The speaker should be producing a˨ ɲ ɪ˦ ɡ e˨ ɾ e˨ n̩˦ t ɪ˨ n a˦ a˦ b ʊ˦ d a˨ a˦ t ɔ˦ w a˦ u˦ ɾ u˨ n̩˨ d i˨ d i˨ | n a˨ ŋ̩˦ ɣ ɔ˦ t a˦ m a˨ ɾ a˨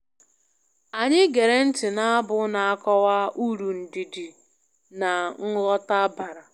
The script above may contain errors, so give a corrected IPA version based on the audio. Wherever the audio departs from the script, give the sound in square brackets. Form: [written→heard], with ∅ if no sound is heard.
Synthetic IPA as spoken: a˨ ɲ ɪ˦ ɡ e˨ ɾ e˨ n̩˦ t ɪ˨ n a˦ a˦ b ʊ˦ [d→n] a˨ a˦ [t→k] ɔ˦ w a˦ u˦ ɾ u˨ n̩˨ d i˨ d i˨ | n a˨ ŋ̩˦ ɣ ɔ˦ t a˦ [m→b] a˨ ɾ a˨